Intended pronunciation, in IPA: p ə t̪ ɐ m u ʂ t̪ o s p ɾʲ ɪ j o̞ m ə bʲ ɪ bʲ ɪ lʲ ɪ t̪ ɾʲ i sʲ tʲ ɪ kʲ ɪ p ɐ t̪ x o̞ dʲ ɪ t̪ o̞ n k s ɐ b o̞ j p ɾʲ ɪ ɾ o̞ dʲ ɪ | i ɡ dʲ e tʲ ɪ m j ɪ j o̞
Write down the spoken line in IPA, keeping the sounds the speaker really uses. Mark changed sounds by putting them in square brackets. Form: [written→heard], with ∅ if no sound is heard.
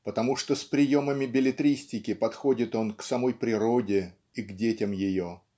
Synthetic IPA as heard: p ə t̪ ɐ m u ʂ t̪ o s p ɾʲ ɪ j o̞ m ə [bʲ→mʲ] ɪ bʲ ɪ lʲ ɪ t̪ ɾʲ i sʲ tʲ ɪ kʲ ɪ p ɐ t̪ x o̞ dʲ ɪ t̪ o̞ n k s ɐ [b→m] o̞ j p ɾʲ ɪ ɾ o̞ dʲ ɪ | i ɡ dʲ e tʲ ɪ m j ɪ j o̞